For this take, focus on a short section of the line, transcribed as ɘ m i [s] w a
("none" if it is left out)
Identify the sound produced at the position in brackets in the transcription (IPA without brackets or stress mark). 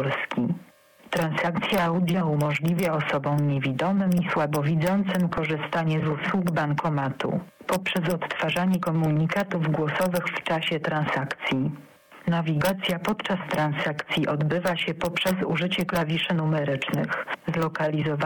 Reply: s